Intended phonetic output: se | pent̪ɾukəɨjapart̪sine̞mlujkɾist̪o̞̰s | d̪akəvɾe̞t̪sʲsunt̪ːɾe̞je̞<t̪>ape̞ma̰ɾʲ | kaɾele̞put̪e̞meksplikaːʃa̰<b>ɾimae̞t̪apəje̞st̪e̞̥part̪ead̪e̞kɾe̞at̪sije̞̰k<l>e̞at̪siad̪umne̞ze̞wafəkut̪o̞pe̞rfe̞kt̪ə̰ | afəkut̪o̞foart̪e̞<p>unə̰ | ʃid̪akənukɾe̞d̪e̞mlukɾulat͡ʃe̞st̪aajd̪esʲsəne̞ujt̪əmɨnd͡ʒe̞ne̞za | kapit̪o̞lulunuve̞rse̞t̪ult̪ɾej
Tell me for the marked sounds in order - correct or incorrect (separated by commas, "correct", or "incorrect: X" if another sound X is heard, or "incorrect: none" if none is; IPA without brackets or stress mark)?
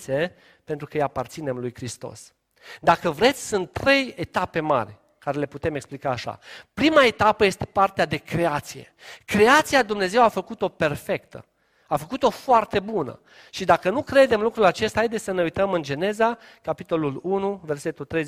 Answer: correct, incorrect: p, incorrect: ɾ, incorrect: b